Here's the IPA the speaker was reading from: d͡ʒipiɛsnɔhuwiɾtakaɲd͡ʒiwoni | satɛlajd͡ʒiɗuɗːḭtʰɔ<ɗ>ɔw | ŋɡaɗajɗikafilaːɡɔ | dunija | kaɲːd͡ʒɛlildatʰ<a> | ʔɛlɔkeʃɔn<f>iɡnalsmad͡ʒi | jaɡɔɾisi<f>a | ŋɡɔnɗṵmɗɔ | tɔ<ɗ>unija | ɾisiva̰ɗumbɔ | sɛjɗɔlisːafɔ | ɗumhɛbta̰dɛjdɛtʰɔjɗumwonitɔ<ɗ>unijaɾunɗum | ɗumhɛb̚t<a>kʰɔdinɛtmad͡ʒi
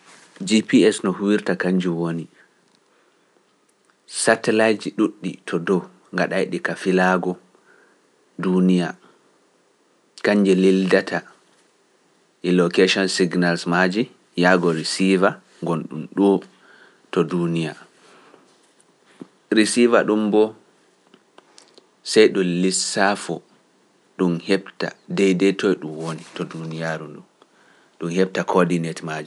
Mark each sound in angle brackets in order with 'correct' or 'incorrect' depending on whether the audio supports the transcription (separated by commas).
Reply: incorrect, correct, incorrect, incorrect, incorrect, incorrect, correct